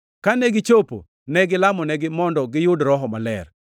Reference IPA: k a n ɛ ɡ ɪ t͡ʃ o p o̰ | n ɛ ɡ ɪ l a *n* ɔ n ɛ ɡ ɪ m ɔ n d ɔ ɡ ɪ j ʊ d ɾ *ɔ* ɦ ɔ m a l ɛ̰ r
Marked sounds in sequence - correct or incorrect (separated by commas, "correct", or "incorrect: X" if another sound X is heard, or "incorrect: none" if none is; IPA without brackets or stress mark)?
incorrect: m, correct